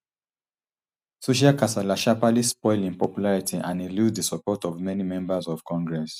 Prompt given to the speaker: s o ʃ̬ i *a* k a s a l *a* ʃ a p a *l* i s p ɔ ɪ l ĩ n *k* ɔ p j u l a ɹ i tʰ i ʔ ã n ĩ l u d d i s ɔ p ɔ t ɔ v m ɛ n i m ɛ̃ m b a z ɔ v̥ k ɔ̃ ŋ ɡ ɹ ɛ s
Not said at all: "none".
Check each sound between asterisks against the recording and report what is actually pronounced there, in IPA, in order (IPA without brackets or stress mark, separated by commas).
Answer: a, a, l, p